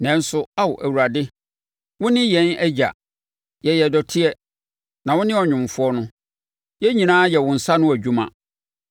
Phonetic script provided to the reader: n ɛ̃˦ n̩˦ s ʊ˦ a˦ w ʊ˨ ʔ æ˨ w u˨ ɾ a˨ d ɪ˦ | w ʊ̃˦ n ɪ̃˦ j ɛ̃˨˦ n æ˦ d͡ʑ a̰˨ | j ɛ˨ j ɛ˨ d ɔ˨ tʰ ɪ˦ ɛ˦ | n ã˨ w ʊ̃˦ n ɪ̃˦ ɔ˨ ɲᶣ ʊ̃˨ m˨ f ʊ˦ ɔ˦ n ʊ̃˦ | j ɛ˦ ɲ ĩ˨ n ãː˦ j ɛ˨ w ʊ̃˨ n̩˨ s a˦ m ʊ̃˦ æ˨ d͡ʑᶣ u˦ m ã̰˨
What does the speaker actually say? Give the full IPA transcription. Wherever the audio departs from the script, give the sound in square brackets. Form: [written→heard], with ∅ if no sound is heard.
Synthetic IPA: n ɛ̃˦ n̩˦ s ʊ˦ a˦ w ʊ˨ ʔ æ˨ w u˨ ɾ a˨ d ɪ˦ | w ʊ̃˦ n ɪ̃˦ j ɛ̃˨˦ n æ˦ d͡ʑ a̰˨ | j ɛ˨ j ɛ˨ d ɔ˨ tʰ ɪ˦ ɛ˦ | n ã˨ w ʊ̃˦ n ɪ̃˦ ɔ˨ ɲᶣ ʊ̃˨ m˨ f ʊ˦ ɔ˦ n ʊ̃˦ | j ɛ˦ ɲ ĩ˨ n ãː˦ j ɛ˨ w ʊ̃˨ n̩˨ s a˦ [m→n] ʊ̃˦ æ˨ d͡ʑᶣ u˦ m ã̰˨